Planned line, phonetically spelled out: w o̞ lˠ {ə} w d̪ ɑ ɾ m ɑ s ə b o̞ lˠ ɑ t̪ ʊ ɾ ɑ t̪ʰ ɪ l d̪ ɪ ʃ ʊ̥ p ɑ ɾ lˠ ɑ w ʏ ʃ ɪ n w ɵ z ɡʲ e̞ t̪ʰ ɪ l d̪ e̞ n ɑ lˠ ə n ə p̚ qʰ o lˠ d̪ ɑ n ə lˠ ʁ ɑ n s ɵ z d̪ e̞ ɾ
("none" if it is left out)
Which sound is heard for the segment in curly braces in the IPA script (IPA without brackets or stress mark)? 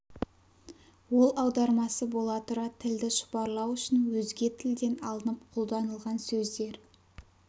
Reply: ɑ